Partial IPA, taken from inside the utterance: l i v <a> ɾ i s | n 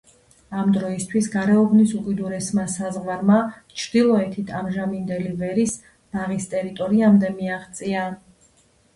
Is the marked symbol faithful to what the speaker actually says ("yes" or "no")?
no